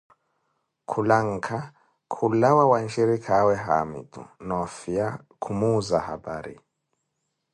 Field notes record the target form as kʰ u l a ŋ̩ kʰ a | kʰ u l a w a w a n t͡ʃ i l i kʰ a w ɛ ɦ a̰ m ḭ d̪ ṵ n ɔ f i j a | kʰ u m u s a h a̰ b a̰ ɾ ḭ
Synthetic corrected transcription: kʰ u l a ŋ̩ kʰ a | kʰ u l a w a w a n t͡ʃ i ɾ i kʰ a w ɛ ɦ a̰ m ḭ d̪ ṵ n ɔ f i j a | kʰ u m u z a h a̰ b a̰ ɾ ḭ